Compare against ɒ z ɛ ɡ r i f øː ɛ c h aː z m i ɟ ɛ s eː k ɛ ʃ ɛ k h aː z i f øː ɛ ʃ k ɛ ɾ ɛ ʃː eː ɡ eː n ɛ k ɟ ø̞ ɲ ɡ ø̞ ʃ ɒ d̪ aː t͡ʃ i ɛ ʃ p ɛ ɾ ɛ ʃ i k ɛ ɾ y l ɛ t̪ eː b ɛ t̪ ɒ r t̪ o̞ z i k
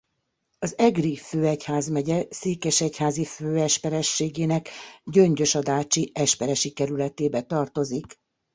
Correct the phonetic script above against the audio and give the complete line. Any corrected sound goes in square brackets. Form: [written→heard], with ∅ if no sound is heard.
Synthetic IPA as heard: ɒ z ɛ ɡ r i f øː ɛ c h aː z m [i→ɛ] ɟ ɛ s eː k ɛ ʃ ɛ [k→c] h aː z i f øː ɛ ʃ [k→p] ɛ ɾ ɛ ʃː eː ɡ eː n ɛ k ɟ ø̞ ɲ [ɡ→ɟ] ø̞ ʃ ɒ d̪ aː t͡ʃ i ɛ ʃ p ɛ ɾ ɛ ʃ i k ɛ ɾ y l ɛ t̪ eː b ɛ t̪ ɒ r t̪ o̞ z i k